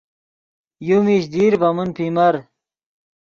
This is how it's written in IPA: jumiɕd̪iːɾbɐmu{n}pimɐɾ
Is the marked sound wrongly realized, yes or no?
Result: no